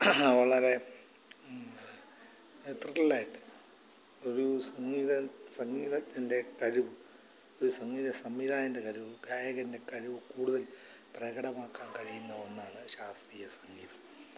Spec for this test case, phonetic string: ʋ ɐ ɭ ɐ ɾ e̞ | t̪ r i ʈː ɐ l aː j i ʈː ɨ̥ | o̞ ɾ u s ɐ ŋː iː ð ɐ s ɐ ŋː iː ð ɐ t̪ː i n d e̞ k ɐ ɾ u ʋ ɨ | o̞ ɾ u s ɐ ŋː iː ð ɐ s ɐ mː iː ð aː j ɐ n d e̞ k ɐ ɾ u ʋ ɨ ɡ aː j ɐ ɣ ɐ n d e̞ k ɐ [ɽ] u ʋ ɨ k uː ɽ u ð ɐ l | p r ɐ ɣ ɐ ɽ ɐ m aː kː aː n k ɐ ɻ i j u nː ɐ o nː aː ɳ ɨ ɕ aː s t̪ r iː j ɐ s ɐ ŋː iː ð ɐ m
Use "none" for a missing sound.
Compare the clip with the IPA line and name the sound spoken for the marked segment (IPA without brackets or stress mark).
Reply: ɾ